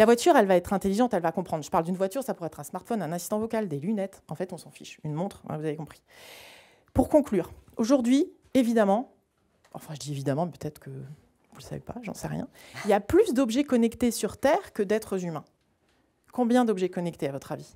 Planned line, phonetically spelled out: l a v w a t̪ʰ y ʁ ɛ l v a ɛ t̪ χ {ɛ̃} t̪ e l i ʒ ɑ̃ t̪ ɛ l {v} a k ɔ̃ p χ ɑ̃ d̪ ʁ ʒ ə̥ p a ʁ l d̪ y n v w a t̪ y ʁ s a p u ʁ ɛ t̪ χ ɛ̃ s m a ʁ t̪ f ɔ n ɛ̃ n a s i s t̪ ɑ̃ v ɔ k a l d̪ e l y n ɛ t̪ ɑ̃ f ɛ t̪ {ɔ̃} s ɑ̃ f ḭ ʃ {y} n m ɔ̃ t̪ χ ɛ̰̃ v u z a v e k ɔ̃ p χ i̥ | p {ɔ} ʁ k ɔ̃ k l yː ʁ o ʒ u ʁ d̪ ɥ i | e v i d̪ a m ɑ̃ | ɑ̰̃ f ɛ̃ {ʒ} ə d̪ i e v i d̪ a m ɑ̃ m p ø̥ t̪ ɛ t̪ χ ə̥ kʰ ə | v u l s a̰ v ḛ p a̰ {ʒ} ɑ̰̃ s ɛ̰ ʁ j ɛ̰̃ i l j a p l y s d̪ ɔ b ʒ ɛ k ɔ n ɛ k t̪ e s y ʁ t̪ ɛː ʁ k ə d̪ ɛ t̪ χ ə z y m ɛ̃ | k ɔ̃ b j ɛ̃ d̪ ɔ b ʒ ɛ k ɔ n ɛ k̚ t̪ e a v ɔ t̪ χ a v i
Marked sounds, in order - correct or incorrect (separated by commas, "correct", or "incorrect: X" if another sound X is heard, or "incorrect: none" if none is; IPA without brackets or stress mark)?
correct, correct, correct, correct, incorrect: u, correct, correct